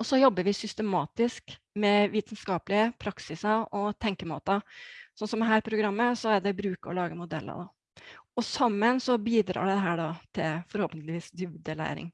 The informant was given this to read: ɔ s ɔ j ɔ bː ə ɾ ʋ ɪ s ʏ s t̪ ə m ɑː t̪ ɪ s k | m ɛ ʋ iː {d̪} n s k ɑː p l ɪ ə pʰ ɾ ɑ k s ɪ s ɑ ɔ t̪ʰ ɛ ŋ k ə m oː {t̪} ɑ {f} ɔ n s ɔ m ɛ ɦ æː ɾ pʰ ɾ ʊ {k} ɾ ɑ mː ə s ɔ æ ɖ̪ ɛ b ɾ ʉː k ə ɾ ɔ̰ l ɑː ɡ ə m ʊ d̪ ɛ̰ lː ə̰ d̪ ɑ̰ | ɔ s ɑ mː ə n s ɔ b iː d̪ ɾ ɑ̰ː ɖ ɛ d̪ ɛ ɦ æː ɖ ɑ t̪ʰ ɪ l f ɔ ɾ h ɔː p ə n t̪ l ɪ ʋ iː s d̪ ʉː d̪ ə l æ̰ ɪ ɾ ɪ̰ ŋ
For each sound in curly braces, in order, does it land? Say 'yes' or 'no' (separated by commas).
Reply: no, yes, no, no